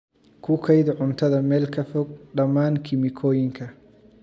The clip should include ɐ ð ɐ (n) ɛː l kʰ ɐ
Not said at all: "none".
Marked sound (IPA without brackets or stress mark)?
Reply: m